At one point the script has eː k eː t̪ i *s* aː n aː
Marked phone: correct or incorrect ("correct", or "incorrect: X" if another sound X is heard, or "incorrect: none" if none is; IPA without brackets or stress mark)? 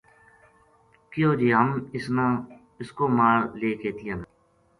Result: incorrect: none